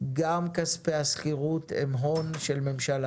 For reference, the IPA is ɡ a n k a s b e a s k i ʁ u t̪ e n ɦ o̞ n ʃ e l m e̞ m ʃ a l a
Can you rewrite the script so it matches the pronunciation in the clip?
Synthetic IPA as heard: ɡ a m k a s p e a s k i ʁ u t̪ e m ɦ o̞ n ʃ e l m e̞ m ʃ a l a